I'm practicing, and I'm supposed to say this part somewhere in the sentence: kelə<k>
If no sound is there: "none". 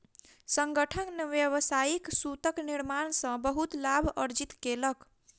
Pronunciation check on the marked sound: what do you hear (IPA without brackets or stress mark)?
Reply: k